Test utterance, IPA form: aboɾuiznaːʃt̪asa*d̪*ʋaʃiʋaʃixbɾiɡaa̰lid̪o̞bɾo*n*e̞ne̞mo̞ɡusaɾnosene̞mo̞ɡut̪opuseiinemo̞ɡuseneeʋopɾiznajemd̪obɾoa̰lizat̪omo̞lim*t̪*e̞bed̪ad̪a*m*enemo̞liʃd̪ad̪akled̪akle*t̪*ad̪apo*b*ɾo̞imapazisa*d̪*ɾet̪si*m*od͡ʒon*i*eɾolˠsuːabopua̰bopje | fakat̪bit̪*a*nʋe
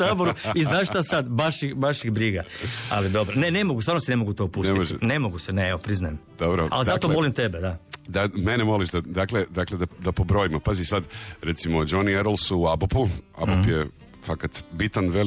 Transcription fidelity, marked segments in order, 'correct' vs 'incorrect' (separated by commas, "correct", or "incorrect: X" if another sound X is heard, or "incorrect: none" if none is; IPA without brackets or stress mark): correct, correct, correct, correct, incorrect: d̪, correct, correct, correct, correct, correct